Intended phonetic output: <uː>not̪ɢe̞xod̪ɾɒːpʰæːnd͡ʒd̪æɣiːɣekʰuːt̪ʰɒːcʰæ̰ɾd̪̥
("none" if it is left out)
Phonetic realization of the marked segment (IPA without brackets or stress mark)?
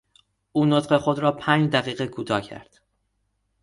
uː